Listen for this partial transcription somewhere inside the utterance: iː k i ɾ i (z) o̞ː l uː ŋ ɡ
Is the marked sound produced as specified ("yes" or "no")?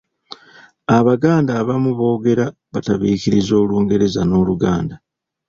yes